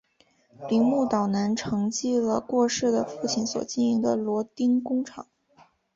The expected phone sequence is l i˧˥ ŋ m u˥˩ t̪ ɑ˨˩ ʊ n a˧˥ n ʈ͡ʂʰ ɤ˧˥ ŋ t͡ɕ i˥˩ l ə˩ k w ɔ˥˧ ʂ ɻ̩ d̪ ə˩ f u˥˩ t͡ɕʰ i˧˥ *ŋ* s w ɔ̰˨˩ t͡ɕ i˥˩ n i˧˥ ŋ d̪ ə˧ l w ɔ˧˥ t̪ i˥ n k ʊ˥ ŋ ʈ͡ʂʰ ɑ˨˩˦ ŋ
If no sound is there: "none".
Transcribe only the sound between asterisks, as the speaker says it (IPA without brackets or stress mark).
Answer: n